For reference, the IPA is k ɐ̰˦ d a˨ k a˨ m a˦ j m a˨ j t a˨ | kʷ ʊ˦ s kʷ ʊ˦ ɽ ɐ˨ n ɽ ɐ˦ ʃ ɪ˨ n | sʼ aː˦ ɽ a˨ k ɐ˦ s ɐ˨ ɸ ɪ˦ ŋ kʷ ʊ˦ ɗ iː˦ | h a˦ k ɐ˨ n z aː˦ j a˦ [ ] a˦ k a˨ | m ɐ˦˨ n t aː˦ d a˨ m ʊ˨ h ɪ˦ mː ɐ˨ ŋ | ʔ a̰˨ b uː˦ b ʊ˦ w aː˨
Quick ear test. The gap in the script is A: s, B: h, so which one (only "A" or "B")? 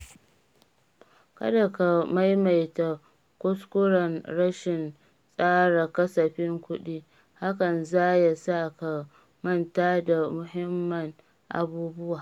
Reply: A